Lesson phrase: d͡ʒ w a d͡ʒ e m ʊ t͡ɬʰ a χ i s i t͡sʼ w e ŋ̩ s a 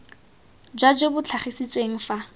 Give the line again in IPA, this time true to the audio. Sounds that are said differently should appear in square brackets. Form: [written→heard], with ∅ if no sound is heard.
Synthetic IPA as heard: d͡ʒ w a d͡ʒ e [m→b] ʊ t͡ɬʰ a χ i s i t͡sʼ w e ŋ̩ [s→f] a